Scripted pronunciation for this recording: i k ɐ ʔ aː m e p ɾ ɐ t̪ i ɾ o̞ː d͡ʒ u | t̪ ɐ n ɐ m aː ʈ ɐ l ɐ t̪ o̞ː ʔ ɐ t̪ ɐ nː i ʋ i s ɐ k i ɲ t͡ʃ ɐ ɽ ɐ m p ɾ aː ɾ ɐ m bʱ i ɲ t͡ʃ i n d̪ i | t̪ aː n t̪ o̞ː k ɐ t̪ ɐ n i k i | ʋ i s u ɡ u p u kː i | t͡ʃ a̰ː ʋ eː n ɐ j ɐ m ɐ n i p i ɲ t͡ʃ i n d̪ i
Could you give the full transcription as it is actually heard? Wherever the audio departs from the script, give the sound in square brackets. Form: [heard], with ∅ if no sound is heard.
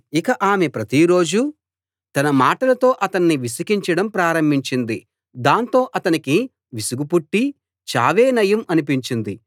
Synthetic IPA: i k ɐ ʔ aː m e p ɾ ɐ t̪ i ɾ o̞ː d͡ʒ u | t̪ ɐ n ɐ m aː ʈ ɐ l ɐ t̪ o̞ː ʔ ɐ t̪ ɐ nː i ʋ i s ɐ k i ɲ t͡ʃ ɐ ɽ ɐ m p ɾ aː ɾ ɐ m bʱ i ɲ t͡ʃ i n d̪ i | [d̪] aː n t̪ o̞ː [ʔ] ɐ t̪ ɐ n i k i | ʋ i s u ɡ u p u [ʈː] i | t͡ʃ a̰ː ʋ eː n ɐ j ɐ m ɐ n i p i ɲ t͡ʃ i n d̪ i